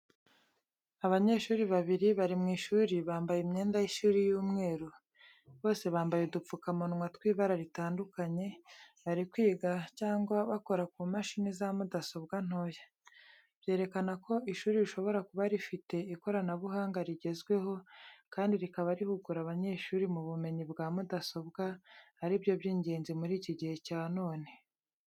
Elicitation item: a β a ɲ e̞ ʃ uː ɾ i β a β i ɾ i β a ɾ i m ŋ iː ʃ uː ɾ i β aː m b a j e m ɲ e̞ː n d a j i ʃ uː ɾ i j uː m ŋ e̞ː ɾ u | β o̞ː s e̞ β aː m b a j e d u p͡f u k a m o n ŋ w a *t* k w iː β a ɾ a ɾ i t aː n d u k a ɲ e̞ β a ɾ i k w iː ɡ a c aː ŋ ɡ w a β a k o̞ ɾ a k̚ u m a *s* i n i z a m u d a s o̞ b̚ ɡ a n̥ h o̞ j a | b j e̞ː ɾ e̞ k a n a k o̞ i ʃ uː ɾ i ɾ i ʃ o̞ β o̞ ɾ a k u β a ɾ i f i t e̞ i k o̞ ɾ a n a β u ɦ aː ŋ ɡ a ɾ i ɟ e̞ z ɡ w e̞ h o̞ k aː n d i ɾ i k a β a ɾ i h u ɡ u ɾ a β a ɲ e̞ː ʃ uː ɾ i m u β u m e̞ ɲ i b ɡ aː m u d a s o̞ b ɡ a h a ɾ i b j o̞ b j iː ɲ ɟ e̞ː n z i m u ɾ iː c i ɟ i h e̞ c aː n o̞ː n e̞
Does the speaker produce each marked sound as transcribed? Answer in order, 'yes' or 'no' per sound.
yes, no

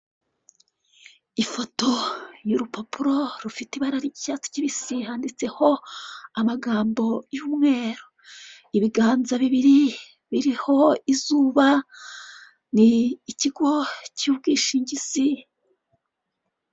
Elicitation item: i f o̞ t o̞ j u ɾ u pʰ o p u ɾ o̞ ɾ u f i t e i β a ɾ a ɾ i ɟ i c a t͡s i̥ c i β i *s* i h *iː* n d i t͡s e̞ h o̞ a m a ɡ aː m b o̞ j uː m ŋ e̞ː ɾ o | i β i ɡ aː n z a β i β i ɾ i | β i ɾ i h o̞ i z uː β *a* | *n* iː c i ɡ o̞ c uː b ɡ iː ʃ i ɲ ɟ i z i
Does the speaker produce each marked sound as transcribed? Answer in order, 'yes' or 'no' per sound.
yes, no, yes, yes

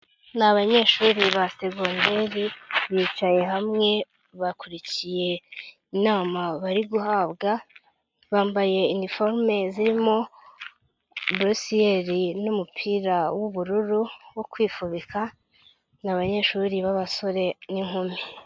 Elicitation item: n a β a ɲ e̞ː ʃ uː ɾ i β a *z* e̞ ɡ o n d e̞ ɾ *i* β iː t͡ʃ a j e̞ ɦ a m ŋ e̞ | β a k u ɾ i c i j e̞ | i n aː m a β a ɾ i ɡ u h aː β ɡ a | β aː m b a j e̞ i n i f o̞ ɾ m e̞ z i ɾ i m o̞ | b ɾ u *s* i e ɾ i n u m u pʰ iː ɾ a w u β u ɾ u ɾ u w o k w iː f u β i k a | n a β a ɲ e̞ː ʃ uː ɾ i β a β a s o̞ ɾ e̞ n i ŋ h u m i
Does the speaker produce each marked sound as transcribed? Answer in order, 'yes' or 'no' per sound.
no, yes, yes

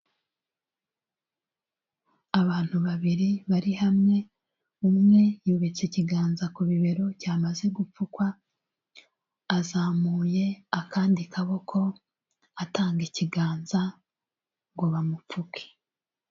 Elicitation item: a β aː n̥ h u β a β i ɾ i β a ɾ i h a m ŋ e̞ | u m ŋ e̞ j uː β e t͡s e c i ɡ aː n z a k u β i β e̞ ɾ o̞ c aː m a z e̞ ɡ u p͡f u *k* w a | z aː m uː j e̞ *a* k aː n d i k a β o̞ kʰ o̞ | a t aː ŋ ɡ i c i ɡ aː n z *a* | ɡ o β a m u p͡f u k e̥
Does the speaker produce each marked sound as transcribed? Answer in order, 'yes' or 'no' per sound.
yes, yes, yes

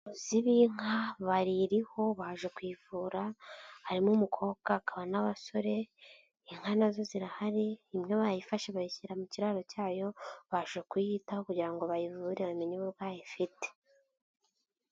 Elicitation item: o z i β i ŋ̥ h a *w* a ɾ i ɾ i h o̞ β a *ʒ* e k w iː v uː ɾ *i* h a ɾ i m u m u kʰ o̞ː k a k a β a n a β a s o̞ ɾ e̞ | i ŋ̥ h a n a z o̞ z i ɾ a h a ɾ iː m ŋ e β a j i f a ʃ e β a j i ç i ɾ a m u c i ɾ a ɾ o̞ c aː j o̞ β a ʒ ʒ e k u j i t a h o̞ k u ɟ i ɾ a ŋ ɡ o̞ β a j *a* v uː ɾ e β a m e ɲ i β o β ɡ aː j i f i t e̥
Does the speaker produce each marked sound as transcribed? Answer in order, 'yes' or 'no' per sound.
no, yes, no, no

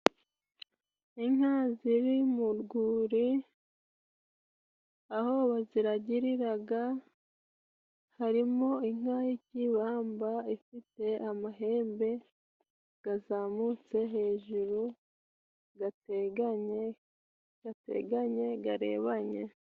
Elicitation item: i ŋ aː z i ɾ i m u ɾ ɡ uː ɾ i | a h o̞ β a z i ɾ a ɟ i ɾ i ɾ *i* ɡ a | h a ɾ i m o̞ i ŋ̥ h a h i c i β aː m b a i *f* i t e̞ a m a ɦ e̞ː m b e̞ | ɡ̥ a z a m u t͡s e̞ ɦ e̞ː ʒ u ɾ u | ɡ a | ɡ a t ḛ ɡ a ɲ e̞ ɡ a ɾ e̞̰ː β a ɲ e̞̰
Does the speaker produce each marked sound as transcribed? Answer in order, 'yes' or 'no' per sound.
no, yes

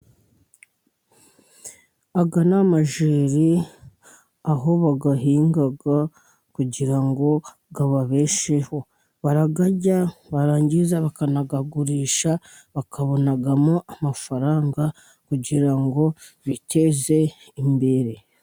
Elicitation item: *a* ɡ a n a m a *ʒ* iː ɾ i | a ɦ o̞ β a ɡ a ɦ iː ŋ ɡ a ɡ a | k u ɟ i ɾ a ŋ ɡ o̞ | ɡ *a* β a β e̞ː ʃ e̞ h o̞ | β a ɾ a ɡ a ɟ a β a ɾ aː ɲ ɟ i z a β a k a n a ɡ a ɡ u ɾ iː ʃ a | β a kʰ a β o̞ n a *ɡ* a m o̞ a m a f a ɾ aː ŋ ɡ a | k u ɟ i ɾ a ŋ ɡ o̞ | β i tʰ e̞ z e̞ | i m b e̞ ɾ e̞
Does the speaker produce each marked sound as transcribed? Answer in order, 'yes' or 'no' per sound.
yes, yes, yes, yes

